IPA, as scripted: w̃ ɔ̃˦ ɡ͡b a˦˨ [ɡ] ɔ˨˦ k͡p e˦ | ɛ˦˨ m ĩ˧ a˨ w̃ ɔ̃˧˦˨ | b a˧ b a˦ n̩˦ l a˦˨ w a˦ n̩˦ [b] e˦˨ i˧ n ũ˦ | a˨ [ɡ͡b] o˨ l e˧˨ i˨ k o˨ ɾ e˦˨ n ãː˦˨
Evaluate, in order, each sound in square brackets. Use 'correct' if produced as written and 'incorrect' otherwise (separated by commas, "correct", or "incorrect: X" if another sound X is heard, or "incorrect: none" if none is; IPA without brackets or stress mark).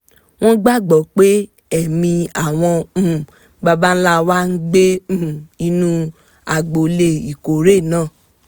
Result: incorrect: ɡ͡b, incorrect: ɡ͡b, correct